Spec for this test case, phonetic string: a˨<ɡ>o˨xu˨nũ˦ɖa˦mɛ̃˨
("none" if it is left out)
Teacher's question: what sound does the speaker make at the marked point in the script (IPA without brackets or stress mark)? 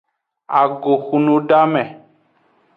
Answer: ɡ